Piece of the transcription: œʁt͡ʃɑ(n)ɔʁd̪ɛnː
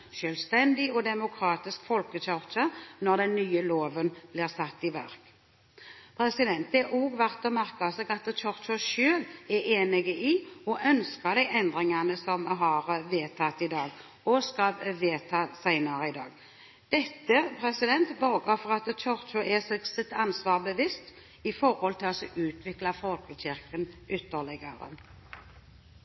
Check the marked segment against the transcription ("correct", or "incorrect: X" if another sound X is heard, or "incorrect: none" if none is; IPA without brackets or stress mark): correct